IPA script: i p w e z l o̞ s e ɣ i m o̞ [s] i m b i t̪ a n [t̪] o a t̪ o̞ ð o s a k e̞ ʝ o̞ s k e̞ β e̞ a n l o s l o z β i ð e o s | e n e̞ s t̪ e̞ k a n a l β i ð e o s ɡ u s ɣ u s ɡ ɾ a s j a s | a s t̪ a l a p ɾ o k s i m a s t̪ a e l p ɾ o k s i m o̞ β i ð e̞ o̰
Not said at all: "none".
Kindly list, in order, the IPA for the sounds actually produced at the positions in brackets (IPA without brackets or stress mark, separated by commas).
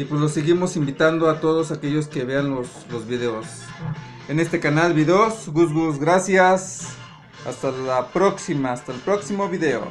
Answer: s, d̪